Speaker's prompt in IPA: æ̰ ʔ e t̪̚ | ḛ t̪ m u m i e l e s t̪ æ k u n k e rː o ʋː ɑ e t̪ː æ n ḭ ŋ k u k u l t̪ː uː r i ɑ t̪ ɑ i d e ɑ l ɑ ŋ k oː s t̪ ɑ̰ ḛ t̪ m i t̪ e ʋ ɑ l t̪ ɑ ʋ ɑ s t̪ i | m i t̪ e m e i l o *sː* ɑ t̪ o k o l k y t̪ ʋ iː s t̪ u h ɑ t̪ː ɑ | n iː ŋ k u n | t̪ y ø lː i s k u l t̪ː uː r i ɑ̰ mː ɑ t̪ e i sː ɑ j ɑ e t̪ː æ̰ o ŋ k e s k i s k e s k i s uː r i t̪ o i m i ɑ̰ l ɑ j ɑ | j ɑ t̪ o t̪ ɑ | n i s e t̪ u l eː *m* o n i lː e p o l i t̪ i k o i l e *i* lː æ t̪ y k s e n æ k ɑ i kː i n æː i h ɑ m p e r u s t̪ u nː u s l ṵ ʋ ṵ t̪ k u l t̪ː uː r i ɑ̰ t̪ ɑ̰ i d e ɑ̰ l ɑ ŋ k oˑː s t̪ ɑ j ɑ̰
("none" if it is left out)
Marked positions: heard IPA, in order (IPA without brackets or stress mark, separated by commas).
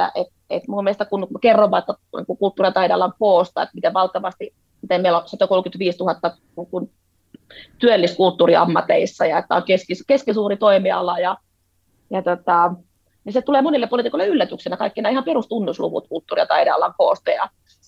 s, m, y